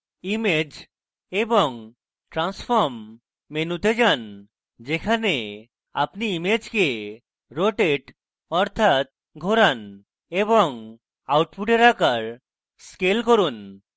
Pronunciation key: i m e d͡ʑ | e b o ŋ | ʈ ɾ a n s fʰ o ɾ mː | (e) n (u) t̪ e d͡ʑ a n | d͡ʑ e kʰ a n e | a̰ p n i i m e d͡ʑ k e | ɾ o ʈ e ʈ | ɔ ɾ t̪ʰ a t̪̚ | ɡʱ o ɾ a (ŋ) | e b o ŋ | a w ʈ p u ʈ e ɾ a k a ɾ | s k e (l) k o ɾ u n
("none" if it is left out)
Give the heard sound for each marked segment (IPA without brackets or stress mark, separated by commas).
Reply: e, u, n, l